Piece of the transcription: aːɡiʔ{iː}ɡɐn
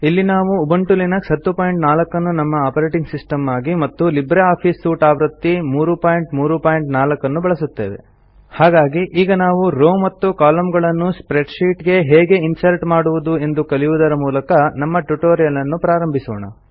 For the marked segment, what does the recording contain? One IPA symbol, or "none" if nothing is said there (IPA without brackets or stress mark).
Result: iː